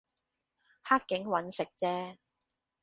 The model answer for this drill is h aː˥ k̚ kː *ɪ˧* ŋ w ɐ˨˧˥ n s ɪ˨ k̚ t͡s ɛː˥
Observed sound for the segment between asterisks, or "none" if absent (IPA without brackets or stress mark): ɪ˨˥